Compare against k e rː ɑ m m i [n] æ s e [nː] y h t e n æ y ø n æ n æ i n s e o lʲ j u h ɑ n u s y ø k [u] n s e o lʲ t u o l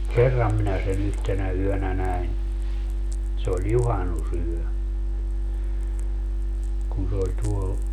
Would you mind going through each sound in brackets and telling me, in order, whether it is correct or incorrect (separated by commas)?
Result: correct, incorrect, correct